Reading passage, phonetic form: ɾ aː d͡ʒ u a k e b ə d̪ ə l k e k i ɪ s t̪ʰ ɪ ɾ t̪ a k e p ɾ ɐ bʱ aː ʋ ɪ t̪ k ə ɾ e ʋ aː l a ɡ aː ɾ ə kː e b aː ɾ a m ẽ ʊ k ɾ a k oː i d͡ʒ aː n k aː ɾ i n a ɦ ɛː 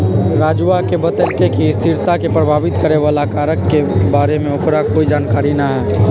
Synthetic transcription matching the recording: ɾ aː d͡ʒ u a k e b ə t̪ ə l k e k i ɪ s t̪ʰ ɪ ɾ t̪ a k e p ɾ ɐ bʱ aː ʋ ɪ t̪ k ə ɾ e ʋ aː l a k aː ɾ ə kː e b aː ɾ e m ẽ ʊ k ɾ a k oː i d͡ʒ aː n k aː ɾ i n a ɦ ɛː

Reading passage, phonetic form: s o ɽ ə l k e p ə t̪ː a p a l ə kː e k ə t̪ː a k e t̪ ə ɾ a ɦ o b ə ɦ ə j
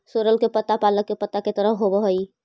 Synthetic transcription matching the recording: s o ɾ ə l k e p ə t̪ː a p a l ə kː e p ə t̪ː a k e t̪ ə ɾ ə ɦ o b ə ɦ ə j

